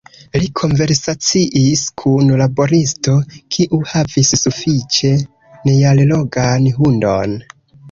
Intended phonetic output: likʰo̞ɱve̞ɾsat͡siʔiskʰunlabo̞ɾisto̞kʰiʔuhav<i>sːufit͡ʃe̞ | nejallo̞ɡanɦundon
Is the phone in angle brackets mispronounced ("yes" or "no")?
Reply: no